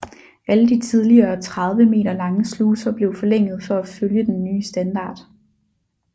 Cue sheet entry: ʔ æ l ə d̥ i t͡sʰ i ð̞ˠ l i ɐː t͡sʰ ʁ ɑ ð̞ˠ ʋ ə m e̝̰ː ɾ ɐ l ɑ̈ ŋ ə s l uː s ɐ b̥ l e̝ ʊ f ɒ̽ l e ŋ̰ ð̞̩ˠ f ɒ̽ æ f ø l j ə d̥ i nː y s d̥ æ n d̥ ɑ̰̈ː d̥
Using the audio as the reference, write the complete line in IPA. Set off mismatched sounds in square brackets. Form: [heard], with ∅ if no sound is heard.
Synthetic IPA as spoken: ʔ æ l ə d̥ i t͡sʰ i ð̞ˠ l i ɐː t͡sʰ ʁ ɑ ð̞ˠ ʋ ə m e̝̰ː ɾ ɐ l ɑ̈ ŋ ə s l uː s ɐ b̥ l e̝ ʊ f ɒ̽ l e ŋ̰ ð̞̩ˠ f ɒ̽ æ f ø l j ə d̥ [e] nː [yː] s d̥ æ n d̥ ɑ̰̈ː d̥